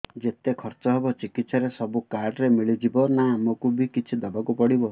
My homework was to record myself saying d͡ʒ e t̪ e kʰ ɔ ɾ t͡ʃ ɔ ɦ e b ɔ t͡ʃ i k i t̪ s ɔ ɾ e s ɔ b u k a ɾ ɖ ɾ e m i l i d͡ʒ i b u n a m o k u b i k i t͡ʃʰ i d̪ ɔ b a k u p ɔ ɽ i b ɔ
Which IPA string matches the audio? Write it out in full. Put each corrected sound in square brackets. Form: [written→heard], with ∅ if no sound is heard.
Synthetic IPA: d͡ʒ e t̪ e kʰ ɔ ɾ t͡ʃ ɔ ɦ e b ɔ t͡ʃ i k i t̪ s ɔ ɾ e s ɔ b u k a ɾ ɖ ɾ e m i [l→ɭ] i d͡ʒ i b [u→ɔ] n a m o k u b i k i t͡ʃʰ i d̪ ɔ b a k u p ɔ ɽ i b ɔ